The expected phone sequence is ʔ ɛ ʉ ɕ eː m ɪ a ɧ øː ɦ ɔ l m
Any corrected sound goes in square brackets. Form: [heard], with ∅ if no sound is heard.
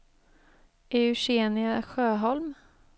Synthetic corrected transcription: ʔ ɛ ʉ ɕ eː [n] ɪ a ɧ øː ɦ ɔ l m